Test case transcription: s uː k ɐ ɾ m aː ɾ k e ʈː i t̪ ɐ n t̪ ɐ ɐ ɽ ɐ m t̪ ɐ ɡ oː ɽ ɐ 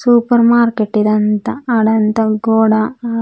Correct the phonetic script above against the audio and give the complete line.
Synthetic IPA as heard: s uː p ɐ ɾ m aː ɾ k e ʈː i d̪ ɐ n t̪ ɐ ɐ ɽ ɐ n t̪ ɐ ɡ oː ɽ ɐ